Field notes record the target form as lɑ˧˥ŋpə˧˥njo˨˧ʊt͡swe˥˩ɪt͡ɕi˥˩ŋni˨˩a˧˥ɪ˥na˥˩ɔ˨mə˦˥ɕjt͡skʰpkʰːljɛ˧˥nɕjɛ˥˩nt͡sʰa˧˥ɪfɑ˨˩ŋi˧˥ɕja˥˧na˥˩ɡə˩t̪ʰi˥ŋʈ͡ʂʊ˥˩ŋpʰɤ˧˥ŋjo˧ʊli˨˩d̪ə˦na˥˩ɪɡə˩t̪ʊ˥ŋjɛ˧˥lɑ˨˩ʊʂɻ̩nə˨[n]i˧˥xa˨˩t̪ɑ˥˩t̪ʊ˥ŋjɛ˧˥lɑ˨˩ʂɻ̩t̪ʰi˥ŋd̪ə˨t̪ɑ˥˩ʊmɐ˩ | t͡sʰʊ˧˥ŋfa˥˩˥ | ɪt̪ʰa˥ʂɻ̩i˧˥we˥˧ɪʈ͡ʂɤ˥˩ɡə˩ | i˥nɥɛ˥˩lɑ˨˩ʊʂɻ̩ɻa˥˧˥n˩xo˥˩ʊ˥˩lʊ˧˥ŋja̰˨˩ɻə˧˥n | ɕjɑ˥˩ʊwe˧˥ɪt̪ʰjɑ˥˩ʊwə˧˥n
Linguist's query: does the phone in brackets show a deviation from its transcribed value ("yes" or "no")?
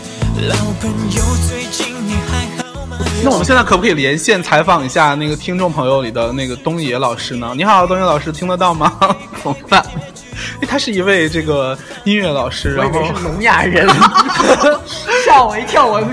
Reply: no